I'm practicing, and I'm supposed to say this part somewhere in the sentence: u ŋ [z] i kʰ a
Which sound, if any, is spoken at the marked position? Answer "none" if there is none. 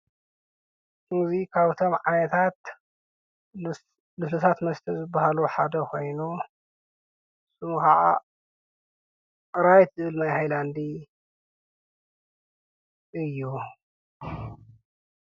z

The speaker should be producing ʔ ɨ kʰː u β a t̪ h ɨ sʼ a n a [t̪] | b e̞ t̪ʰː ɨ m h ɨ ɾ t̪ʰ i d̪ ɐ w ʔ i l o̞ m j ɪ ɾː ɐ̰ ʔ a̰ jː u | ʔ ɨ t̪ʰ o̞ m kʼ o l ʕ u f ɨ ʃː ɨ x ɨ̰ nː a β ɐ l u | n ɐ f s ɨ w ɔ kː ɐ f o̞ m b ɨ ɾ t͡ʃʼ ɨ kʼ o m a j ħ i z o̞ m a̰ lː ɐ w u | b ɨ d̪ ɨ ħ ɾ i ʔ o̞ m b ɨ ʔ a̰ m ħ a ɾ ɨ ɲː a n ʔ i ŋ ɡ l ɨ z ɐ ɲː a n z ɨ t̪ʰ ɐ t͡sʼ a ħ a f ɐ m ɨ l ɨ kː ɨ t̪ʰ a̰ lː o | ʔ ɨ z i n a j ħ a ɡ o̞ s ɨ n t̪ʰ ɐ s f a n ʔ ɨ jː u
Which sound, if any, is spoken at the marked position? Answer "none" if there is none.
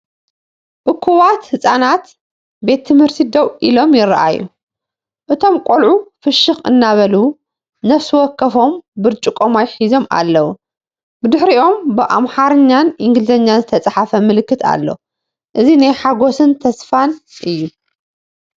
t̪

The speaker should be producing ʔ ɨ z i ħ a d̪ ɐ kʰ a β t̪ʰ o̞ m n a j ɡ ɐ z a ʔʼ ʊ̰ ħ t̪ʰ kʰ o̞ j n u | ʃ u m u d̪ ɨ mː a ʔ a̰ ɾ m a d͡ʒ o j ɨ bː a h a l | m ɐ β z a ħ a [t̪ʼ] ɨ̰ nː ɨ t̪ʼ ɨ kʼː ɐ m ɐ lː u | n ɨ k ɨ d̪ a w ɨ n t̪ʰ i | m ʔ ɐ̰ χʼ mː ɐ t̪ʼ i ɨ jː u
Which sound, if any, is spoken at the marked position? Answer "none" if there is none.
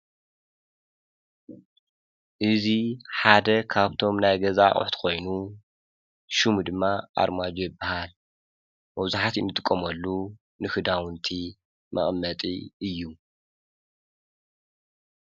t̪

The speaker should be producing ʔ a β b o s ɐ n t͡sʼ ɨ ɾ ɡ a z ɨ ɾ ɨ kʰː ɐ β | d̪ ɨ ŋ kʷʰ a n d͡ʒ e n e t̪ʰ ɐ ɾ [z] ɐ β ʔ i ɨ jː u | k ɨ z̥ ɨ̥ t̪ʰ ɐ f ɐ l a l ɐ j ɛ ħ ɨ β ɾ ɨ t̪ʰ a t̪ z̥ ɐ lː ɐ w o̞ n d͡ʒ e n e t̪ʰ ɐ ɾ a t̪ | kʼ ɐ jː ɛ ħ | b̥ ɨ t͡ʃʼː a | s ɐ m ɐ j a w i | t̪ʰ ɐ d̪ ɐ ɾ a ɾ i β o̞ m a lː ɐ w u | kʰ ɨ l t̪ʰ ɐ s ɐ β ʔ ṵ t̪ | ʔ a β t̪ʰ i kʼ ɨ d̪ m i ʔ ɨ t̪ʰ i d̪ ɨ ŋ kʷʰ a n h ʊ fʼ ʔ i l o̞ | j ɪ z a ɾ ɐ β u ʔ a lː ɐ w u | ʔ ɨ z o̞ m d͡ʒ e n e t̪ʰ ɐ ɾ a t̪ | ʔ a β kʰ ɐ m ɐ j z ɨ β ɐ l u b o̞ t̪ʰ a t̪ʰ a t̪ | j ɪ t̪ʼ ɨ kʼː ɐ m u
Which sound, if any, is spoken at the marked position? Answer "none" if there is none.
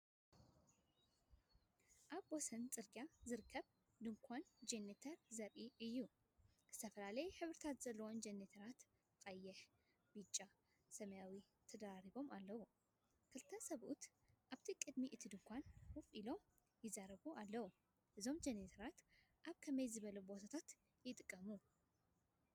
z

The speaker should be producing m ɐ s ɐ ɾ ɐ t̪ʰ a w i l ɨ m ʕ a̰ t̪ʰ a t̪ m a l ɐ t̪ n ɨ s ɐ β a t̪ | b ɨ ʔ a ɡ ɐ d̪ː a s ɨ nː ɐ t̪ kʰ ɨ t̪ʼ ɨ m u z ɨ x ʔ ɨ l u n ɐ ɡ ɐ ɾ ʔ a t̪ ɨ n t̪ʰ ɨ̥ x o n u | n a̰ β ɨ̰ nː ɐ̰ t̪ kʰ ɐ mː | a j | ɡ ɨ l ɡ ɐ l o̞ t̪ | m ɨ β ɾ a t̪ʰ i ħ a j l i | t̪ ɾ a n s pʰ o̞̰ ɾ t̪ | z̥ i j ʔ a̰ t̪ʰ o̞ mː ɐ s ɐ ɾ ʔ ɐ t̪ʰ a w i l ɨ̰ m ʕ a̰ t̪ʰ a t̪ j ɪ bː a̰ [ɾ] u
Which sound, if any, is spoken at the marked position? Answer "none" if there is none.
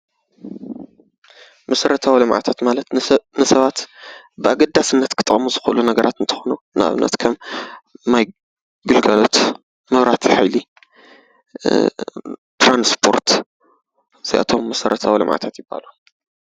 l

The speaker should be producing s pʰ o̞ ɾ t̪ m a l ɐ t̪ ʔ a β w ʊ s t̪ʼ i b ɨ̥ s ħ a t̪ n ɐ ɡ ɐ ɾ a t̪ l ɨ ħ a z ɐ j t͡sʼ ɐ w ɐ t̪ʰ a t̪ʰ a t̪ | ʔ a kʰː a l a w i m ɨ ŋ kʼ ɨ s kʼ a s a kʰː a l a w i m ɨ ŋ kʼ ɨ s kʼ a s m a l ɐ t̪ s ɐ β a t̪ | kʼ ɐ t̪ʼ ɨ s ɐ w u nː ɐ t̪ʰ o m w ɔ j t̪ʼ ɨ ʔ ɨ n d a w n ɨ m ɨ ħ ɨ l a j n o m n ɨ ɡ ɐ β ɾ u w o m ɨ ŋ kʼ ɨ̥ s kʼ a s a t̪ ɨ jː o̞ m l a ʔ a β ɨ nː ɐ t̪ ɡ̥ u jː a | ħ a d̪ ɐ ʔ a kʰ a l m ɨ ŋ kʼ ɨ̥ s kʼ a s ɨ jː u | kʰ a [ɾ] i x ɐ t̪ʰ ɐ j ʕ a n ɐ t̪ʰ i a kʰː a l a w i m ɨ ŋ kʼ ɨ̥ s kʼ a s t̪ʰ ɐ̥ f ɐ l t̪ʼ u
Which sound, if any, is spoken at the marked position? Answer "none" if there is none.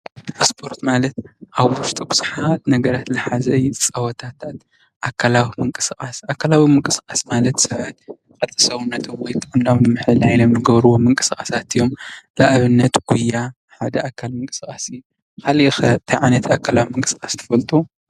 l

